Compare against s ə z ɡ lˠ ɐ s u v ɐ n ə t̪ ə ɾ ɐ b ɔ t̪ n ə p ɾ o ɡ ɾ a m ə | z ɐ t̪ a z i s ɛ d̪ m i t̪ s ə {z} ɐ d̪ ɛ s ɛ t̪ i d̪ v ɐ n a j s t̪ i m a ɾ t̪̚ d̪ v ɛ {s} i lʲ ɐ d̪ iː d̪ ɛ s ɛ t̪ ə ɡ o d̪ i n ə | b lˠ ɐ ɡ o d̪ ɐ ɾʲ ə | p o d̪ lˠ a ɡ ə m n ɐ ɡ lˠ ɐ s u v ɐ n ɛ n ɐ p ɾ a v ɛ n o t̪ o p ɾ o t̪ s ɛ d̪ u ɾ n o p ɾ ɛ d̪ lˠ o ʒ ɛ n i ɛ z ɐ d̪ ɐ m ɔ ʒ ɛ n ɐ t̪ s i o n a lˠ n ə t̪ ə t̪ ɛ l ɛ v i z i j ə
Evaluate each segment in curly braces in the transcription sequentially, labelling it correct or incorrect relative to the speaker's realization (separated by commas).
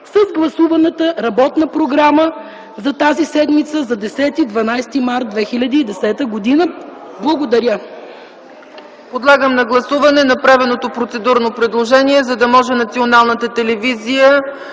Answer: correct, incorrect